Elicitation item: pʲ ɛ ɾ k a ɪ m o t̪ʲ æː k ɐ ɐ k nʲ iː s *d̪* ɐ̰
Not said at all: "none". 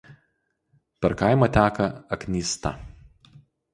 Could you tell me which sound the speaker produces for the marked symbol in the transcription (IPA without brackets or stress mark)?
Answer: t̪